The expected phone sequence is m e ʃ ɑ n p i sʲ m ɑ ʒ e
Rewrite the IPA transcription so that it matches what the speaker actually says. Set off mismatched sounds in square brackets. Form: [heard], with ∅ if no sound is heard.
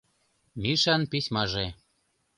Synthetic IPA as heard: m [i] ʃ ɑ n p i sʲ m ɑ ʒ e